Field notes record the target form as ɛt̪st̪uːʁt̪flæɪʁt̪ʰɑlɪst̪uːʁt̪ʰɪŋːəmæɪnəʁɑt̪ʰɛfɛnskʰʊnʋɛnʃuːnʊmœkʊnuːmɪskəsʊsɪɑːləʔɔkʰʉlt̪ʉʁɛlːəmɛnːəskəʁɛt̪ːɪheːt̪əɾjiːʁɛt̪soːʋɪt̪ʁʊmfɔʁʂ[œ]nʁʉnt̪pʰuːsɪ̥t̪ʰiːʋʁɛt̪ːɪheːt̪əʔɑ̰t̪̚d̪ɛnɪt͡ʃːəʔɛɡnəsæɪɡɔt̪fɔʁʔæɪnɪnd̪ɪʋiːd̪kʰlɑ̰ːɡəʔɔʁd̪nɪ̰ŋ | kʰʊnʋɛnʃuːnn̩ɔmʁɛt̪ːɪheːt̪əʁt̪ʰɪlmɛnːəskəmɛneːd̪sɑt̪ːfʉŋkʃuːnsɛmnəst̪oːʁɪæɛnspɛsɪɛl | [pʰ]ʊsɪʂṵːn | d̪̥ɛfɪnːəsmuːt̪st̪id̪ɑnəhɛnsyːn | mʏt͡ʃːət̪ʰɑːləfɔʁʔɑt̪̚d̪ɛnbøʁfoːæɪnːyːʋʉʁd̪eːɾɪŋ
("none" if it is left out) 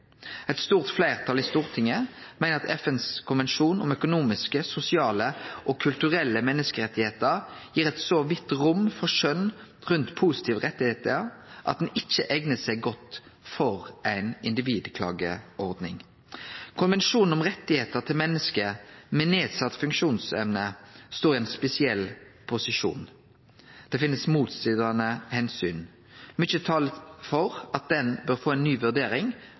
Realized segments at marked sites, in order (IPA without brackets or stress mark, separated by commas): œ, pʰ